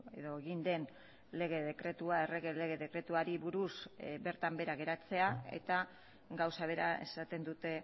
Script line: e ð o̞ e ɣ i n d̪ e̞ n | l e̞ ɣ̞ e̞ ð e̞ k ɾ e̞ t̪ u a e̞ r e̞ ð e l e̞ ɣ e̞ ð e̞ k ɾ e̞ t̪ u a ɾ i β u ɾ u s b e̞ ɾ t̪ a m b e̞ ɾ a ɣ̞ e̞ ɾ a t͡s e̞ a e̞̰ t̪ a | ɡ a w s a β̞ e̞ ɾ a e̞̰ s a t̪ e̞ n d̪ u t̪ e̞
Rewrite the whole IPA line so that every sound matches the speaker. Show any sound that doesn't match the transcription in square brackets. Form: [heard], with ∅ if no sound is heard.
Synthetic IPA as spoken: e ð o̞ e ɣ i n d̪ e̞ n | l e̞ ɣ̞ e̞ ð e̞ k ɾ e̞ t̪ u a e̞ r e̞ [ɣ] e l e̞ ɣ e̞ ð e̞ k ɾ e̞ t̪ u a ɾ i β u ɾ u s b e̞ ɾ t̪ a m b e̞ ɾ a ɣ̞ e̞ ɾ a t͡s e̞ a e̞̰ t̪ a | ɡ a w s a β̞ e̞ ɾ a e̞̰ s a t̪ e̞ n d̪ u t̪ e̞

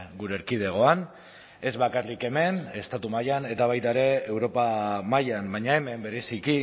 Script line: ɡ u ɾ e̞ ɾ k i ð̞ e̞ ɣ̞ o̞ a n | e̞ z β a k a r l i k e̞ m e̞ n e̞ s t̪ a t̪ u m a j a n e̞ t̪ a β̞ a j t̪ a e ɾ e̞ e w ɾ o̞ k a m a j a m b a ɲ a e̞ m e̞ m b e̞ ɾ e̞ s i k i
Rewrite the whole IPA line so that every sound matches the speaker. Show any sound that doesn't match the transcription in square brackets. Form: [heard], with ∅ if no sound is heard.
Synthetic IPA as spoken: ɡ u ɾ e̞ ɾ k i ð̞ e̞ ɣ̞ o̞ a n | e̞ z β a k a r l i k e̞ m e̞ n e̞ s t̪ a t̪ u m a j a n e̞ t̪ a β̞ a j t̪ a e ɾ e̞ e w ɾ o̞ [p] a m a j a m b a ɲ a e̞ m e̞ m b e̞ ɾ e̞ s i k i

